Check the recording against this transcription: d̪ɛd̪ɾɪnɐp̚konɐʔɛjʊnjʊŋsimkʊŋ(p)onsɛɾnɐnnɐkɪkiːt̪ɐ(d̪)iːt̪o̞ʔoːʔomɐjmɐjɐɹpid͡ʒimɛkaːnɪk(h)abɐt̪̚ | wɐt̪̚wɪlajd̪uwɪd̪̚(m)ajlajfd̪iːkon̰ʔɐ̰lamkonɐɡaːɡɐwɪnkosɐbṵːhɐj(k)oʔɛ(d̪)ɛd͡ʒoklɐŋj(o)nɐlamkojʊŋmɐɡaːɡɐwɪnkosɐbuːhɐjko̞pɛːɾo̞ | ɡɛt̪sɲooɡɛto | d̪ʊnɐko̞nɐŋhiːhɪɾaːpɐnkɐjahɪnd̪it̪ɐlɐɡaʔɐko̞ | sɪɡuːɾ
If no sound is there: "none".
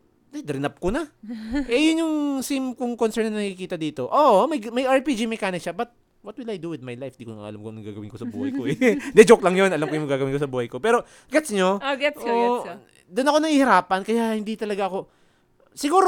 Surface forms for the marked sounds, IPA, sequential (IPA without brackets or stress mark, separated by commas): k, d̪, ʃ, m, k, d̪, o